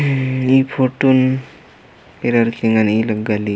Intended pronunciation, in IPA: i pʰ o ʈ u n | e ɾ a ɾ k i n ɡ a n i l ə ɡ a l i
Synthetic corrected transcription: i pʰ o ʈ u n | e ɾ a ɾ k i ŋ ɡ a n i l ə ɡ a l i